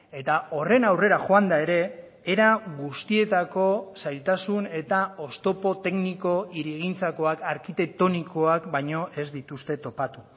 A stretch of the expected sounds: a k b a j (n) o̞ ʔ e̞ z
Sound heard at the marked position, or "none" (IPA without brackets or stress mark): ɲ